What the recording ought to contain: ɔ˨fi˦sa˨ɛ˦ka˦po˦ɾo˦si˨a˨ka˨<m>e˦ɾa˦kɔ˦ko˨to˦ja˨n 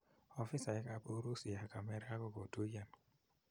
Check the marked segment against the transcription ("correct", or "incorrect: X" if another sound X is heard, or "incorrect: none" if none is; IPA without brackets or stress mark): correct